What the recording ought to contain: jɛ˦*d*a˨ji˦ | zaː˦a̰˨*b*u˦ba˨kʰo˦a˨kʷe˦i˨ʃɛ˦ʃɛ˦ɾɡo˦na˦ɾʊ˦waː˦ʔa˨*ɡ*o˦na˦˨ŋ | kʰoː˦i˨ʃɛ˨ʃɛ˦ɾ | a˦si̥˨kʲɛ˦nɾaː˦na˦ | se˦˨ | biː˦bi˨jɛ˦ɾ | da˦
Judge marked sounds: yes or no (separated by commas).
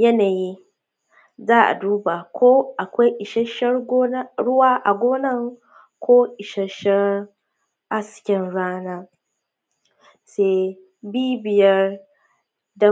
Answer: no, no, yes